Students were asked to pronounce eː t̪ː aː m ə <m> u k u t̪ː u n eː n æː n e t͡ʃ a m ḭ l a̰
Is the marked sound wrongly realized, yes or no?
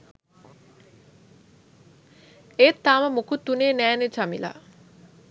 no